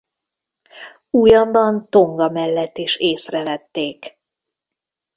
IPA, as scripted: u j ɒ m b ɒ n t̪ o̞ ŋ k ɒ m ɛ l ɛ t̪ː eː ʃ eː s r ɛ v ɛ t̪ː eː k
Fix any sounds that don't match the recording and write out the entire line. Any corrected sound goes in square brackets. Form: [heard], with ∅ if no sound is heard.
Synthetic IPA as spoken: u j ɒ m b ɒ n t̪ o̞ ŋ [ɡ] ɒ m ɛ [lː] ɛ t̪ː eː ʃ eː s r ɛ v ɛ t̪ː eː k